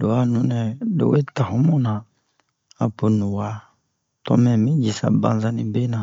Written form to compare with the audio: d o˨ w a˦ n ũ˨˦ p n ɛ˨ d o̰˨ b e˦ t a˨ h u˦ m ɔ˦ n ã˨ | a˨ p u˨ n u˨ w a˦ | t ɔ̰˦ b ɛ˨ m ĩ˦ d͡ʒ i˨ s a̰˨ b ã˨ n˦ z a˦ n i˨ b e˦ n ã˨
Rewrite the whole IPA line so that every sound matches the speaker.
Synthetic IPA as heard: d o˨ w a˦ n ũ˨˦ n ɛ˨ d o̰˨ w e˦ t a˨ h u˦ m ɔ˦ n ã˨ | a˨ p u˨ n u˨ w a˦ | t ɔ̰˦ m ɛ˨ m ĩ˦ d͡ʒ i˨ s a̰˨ b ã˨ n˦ z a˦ n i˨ b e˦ n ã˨